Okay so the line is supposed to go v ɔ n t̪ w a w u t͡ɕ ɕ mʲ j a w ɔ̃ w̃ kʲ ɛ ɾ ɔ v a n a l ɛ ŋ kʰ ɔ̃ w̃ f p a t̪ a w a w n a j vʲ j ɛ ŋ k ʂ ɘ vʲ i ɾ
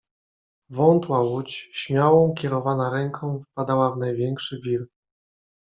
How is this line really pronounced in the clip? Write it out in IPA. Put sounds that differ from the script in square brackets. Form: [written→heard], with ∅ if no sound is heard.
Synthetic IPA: v ɔ n t̪ w a w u t͡ɕ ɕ mʲ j a w ɔ̃ w̃ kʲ ɛ ɾ ɔ v a n a [l→ɾ] ɛ ŋ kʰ ɔ̃ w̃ f p a [t̪→d̪] a w a [w→v] n a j vʲ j ɛ ŋ k ʂ ɘ vʲ i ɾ